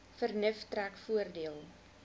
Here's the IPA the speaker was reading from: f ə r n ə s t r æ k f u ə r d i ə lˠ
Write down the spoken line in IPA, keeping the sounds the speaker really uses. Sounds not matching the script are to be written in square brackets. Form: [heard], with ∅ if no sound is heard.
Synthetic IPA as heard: f ə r n ə [f] t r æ k f u ə r d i ə lˠ

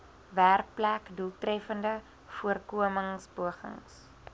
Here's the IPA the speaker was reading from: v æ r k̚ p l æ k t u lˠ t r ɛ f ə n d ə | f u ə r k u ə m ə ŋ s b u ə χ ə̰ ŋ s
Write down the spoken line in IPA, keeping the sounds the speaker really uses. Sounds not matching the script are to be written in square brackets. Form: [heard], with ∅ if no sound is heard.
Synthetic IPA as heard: v æ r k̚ p l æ k [d] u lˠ t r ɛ f ə n d ə | f u ə r k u ə m ə ŋ s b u ə χ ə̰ ŋ s

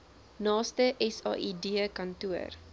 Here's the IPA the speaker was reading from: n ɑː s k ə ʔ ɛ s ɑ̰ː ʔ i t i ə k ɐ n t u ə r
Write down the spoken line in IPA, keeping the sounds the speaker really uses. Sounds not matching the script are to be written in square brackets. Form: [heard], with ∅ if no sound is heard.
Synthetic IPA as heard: n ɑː s [t] ə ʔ ɛ s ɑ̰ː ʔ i [d] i ə k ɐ n t u ə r

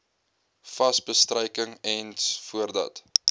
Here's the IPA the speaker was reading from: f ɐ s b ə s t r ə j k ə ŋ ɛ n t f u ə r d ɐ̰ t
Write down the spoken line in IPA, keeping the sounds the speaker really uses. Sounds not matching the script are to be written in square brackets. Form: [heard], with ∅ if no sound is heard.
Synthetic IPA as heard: f ɐ s b ə s t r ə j k ə ŋ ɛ n [s] f u ə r d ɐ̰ t

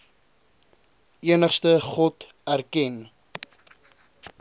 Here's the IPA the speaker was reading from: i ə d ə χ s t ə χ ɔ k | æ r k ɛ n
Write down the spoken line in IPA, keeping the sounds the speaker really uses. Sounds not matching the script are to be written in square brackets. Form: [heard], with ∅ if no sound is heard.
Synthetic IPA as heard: i ə [n] ə χ s t ə χ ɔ [t] | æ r k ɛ n

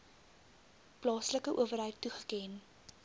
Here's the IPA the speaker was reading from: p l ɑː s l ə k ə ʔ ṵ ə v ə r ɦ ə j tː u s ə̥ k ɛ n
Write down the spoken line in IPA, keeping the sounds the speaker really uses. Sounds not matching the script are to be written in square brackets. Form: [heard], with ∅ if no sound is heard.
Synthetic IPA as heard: p l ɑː s l ə k ə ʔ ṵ ə v ə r ɦ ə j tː u [χ] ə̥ k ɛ n

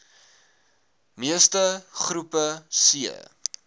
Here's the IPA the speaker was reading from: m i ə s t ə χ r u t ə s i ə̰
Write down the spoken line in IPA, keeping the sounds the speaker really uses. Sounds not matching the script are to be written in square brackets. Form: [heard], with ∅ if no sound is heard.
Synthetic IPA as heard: m i ə s t ə χ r u [p] ə s i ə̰

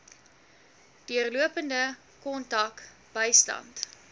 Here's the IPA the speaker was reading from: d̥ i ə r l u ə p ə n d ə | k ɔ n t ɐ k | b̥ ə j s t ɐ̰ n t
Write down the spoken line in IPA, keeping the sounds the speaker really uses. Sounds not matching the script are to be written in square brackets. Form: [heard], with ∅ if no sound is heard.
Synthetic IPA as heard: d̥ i ə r l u ə p ə n d ə | k ɔ n t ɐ k | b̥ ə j s t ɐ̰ n t

